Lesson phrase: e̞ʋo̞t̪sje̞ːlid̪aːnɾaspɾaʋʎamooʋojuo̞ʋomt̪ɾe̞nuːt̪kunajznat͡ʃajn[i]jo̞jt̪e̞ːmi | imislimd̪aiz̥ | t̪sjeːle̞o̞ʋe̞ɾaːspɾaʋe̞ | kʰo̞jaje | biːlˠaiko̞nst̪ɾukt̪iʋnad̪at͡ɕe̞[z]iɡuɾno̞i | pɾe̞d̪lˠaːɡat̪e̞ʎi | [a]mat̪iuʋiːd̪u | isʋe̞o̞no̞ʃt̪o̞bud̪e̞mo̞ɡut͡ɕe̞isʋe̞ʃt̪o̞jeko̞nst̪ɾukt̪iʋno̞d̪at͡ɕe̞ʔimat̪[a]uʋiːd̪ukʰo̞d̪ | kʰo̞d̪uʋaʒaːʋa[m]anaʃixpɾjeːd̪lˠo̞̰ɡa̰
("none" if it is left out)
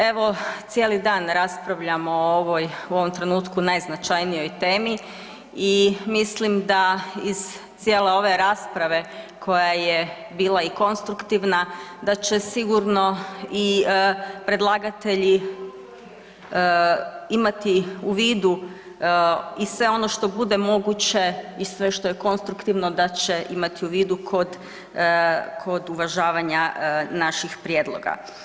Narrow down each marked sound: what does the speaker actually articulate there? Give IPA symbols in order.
i, s, i, i, ɲ

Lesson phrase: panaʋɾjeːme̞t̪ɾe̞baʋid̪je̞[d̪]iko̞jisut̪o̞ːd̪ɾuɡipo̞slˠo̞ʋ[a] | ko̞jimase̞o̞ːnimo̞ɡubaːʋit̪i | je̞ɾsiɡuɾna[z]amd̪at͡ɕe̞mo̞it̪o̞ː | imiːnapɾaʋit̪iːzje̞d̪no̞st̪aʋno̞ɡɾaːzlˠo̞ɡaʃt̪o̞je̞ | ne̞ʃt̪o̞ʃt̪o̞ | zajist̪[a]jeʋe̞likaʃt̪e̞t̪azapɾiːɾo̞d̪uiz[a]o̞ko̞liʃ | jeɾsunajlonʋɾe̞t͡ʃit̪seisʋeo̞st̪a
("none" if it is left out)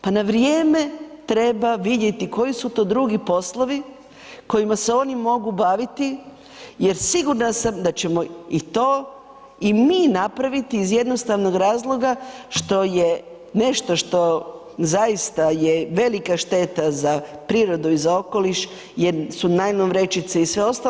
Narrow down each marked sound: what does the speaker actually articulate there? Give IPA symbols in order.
t̪, i, s, a, a

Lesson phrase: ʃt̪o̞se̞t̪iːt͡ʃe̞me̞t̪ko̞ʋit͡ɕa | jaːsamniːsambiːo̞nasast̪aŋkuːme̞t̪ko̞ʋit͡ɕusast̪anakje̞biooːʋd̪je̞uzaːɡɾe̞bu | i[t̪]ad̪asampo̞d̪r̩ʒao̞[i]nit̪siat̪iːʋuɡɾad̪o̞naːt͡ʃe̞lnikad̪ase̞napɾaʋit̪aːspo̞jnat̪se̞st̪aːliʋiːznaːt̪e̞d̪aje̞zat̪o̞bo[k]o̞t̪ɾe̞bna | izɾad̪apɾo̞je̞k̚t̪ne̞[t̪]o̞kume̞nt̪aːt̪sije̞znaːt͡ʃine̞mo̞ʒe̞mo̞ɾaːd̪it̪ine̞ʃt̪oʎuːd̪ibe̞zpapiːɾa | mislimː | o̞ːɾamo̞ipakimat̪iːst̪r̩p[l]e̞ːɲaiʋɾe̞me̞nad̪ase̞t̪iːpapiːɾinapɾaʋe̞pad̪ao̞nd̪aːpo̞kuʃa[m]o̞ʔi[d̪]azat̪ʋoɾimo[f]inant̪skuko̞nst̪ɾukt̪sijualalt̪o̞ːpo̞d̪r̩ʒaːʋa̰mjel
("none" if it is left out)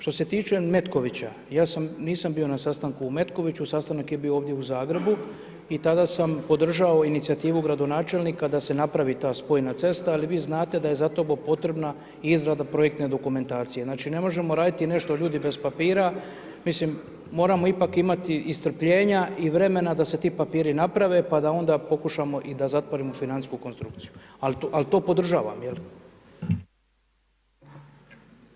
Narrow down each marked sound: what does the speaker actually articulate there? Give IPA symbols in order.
t̪, i, p, d̪, ʎ, m, d̪, f

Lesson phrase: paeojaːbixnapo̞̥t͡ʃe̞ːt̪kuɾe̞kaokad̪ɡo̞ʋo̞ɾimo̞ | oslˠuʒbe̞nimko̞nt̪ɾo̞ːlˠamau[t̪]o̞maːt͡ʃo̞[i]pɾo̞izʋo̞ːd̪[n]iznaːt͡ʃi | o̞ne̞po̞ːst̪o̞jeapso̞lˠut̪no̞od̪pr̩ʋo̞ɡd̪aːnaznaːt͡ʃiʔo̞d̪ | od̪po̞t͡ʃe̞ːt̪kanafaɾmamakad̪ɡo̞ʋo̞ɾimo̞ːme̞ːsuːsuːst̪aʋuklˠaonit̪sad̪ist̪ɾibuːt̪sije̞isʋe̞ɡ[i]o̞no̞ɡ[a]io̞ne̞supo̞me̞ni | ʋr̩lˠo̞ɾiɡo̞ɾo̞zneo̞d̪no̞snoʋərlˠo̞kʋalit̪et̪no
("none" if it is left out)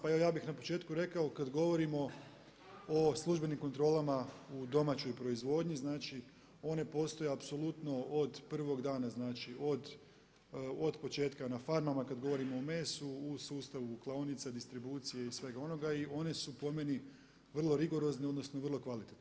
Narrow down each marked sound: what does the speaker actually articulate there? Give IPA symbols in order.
d̪, j, ɲ, a, a

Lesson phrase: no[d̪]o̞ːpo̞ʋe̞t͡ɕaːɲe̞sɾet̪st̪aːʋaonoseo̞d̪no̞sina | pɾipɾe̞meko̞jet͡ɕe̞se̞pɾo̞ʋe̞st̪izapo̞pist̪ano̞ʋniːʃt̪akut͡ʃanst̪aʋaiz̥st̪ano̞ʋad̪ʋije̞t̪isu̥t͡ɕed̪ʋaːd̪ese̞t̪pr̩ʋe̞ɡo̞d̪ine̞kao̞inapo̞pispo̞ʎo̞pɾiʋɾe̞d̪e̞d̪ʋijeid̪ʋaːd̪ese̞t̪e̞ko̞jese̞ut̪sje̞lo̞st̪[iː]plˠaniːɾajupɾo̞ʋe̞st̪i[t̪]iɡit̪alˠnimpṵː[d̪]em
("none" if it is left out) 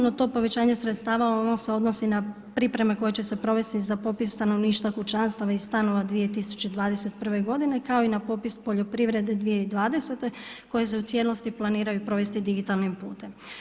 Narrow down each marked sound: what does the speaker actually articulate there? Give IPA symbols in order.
t̪, i, d̪, t̪

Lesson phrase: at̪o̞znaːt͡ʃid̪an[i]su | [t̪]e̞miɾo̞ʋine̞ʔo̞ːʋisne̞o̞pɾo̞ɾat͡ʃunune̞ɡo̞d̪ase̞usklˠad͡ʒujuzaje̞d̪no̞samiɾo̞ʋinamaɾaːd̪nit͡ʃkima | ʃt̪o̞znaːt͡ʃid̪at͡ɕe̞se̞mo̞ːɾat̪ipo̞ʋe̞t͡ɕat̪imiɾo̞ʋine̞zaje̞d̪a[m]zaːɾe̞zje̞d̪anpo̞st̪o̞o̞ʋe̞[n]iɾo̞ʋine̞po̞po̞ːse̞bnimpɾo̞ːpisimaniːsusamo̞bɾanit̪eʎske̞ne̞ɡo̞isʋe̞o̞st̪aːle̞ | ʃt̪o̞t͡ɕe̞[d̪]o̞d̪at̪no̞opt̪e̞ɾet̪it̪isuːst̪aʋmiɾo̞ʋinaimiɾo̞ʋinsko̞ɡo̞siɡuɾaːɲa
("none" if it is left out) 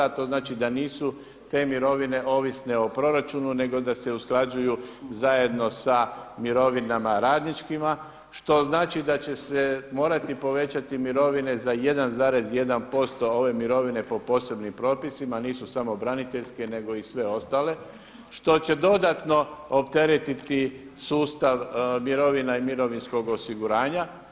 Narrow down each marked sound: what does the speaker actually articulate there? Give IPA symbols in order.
iː, t̪, n, m, d̪

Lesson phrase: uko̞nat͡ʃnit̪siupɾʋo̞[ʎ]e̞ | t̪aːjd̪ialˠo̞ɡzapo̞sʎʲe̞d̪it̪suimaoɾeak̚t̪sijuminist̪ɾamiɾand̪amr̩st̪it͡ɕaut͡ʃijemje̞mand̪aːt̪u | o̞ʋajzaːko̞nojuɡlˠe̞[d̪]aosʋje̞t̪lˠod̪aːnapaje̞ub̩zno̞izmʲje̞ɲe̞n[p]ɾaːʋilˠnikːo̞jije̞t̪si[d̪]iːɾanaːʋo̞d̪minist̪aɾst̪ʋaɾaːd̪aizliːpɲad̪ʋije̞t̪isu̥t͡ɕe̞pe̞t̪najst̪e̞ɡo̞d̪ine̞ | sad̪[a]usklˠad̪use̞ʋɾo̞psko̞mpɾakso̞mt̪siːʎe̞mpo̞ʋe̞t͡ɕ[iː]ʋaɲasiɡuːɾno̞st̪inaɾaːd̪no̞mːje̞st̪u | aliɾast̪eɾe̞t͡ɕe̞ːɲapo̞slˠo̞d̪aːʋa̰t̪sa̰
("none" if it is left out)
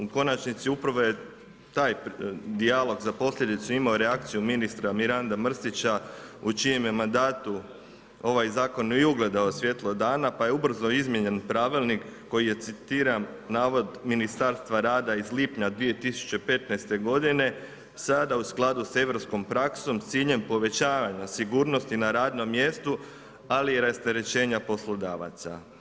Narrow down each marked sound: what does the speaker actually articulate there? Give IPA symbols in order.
j, d̪, p, t̪, a, aː

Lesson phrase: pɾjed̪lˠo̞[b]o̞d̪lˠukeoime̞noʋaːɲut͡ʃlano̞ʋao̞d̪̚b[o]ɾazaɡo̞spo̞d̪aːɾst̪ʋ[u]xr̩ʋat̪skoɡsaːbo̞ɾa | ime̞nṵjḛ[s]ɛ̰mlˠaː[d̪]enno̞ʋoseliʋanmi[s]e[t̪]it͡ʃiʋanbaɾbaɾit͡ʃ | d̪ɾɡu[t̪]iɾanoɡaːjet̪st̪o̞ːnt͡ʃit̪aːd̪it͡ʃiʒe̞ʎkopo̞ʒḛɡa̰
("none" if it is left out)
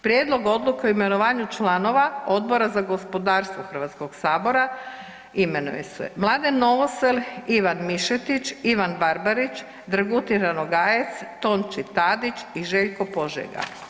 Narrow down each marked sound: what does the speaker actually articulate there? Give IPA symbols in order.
ɡ, o, o, s, d̪, ʃ, t̪, t̪

